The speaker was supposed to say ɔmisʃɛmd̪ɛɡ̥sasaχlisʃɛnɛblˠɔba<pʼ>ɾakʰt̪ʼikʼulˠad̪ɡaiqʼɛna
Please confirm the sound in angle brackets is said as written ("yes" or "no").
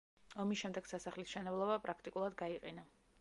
yes